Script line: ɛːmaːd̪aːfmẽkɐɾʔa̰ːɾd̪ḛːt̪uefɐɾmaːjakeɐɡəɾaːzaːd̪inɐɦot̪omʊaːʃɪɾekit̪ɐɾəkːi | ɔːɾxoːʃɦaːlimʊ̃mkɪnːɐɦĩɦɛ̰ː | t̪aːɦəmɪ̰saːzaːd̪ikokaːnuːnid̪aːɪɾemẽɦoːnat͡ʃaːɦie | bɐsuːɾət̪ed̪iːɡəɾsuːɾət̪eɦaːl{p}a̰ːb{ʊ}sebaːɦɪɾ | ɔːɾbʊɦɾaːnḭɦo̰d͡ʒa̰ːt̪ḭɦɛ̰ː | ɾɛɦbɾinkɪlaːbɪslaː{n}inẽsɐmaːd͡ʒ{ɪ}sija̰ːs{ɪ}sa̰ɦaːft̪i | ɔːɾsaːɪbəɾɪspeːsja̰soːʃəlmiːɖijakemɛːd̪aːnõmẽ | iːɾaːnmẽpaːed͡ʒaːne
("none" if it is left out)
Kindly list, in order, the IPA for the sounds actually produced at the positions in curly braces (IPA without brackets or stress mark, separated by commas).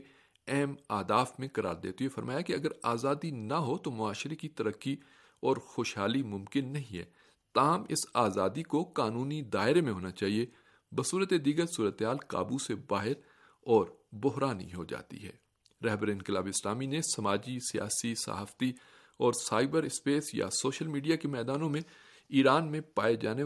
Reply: k, u, m, i, i